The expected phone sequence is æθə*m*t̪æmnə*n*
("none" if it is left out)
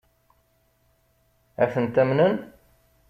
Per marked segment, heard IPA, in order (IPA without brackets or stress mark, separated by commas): n, n